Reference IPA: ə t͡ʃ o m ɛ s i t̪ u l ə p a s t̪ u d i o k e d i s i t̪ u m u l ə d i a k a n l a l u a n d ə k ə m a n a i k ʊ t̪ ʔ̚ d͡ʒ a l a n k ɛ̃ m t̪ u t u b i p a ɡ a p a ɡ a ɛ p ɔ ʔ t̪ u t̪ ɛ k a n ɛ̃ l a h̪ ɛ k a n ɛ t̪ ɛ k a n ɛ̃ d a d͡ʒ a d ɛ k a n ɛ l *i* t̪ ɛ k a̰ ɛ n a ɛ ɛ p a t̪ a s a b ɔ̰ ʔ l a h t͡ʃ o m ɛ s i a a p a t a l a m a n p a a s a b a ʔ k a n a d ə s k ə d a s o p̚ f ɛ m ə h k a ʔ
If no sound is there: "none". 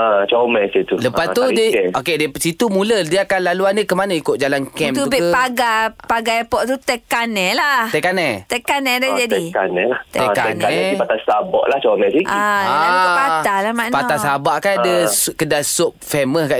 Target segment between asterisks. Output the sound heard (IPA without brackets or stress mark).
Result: a